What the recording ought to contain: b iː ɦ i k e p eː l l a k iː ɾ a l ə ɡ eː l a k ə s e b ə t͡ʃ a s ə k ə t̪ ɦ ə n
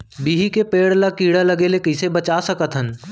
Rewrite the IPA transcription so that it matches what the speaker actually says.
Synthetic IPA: b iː ɦ i k e p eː ɽ l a k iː ɽ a l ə ɡ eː l e k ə s e b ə t͡ʃ a s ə k ə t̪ ɦ ə n